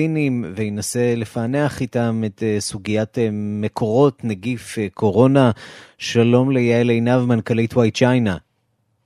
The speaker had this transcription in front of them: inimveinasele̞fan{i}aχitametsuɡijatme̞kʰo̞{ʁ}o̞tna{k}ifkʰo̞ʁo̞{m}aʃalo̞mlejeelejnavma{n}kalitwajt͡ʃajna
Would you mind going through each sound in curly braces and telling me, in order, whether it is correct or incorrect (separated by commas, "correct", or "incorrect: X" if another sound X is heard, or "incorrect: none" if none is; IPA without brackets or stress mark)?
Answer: incorrect: e, correct, incorrect: ɡ, incorrect: n, correct